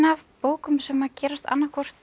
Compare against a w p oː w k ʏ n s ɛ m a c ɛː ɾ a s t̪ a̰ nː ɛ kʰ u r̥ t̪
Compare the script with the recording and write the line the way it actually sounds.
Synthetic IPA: a v p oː w k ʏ m s ɛ m a c ɛː ɾ a s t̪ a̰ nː a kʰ ɔ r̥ t̪